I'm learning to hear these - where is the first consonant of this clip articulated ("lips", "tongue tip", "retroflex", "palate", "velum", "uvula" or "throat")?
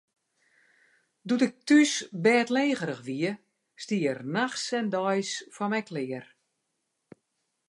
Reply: tongue tip